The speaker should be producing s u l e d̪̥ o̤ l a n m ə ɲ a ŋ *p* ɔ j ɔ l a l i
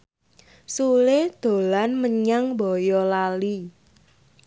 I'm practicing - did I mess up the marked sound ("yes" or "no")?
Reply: yes